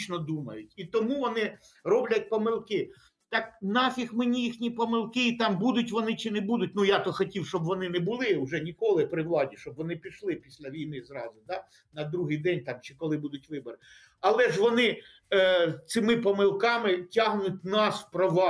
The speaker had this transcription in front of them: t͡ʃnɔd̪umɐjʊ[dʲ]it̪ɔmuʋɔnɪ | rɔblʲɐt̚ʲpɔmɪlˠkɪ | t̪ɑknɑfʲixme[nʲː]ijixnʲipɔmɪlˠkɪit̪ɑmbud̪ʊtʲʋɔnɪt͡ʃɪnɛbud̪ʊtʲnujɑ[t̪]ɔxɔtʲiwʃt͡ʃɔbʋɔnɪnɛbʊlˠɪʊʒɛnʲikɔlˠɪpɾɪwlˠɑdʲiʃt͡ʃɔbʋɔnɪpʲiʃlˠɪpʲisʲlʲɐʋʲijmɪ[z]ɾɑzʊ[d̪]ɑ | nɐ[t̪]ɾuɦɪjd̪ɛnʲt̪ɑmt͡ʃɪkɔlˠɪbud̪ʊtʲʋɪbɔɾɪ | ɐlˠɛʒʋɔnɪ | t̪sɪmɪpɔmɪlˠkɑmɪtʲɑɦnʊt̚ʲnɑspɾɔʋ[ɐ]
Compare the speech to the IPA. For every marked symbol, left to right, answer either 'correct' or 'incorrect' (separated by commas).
incorrect, incorrect, correct, correct, correct, incorrect, incorrect